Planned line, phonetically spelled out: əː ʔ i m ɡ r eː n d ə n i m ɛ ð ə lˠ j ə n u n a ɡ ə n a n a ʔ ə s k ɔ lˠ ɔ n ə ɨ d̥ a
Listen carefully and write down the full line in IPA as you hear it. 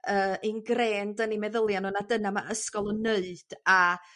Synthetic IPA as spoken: əː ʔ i n ɡ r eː n d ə n i m ɛ ð ə lˠ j a n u n a d ə n a m a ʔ ə s k ɔ lˠ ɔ n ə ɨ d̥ a